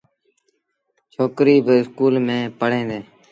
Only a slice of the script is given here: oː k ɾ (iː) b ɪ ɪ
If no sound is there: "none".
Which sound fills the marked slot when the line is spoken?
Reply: iː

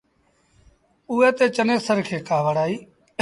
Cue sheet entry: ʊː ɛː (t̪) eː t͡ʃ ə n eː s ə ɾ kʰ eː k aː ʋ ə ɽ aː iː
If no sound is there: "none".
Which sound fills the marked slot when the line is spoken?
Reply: t̪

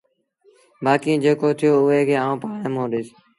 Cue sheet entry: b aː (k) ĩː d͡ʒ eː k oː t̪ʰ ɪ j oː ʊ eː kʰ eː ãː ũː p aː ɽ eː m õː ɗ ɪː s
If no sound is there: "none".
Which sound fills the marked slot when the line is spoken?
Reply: k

